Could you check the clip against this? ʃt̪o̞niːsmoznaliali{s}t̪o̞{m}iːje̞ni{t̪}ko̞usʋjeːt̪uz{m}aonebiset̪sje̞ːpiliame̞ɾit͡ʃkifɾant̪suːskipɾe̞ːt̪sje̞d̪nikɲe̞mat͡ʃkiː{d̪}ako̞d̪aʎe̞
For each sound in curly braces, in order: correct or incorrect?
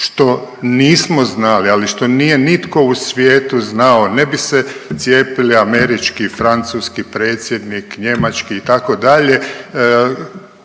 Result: incorrect: ʃ, incorrect: n, correct, incorrect: n, incorrect: t̪

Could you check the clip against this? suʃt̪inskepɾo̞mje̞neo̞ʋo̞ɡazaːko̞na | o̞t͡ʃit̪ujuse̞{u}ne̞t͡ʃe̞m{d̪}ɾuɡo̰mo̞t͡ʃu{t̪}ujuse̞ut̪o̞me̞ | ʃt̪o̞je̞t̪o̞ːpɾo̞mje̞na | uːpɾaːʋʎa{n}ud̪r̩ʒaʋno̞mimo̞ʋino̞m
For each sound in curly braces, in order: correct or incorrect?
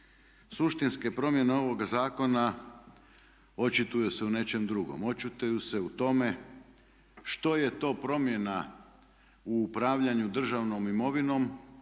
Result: correct, correct, correct, incorrect: ɲ

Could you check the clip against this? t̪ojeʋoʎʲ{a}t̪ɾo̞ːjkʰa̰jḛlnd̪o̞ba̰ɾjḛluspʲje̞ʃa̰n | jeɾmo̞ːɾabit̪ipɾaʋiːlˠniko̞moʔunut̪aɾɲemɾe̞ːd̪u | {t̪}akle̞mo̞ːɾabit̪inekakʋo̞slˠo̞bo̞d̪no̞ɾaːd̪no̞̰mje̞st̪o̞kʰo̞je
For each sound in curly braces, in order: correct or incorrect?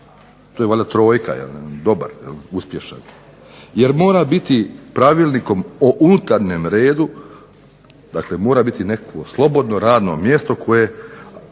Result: correct, incorrect: d̪

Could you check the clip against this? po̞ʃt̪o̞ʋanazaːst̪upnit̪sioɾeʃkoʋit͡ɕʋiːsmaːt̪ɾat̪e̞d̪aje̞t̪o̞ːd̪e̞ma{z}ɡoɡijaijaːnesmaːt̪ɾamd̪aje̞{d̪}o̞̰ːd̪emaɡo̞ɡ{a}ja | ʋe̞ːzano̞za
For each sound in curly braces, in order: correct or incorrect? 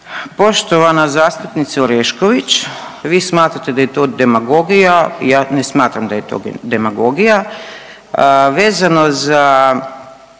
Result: incorrect: none, incorrect: t̪, incorrect: i

